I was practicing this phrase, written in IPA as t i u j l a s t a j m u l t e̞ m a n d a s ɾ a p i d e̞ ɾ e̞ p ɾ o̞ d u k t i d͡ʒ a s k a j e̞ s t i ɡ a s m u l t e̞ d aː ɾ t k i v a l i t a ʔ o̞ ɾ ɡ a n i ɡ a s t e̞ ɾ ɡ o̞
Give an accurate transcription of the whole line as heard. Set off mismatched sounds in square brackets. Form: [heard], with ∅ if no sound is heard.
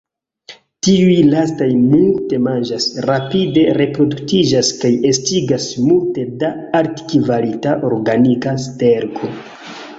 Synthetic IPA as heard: t i u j l a s t a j m u l t e̞ m a n [d͡ʒ] a s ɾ a p i d e̞ ɾ e̞ p ɾ o̞ d u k t i d͡ʒ a s k a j e̞ s t i ɡ a s m u l t e̞ d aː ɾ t k i v a l i t a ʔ o̞ ɾ ɡ a n i [k] a s t e̞ ɾ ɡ o̞